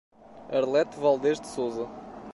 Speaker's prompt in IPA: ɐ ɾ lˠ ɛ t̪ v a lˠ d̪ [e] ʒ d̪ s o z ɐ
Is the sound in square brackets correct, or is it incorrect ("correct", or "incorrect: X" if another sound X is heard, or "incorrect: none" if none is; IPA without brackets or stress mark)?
correct